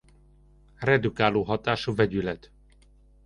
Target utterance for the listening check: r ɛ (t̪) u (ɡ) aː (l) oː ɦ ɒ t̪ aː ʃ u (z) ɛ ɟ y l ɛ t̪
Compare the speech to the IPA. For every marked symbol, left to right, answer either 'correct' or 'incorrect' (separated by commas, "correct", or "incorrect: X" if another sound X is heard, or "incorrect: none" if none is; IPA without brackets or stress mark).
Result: incorrect: d̪, incorrect: k, correct, incorrect: v